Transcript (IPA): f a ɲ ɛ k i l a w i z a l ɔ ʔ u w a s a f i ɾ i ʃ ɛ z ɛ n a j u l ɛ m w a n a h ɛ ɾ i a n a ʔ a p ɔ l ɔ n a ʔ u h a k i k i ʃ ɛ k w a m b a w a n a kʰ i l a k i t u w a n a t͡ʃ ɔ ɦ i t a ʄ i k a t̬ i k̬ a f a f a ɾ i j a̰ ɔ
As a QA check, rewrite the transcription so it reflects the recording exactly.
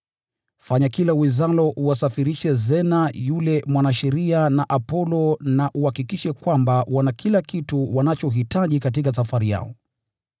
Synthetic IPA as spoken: f a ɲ a k i l a w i z a l ɔ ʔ u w a s a f i ɾ i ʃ ɛ z ɛ n a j u l ɛ m w a n a ʃ ɛ ɾ i a n a ʔ a p ɔ l ɔ n a ʔ u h a k i k i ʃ ɛ k w a m b a w a n a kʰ i l a k i t u w a n a t͡ʃ ɔ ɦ i t a ʄ i k a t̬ i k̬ a s a f a ɾ i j a̰ ɔ